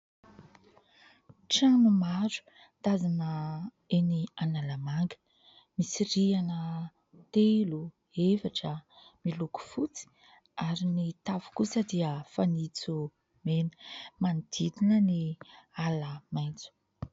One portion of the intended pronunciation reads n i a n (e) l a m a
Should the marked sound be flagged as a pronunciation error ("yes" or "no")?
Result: yes